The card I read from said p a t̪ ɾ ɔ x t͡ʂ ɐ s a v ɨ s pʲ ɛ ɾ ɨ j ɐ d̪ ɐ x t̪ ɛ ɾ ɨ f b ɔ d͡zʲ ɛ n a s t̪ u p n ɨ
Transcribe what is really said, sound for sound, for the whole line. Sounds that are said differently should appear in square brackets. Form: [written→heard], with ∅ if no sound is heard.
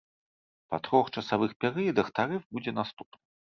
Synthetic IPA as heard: p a t̪ ɾ ɔ x t͡ʂ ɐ s a v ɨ [s→x] pʲ ɛ ɾ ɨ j ɐ d̪ ɐ x t̪ [ɛ→a] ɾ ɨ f b [ɔ→u] d͡zʲ ɛ n a s t̪ u p n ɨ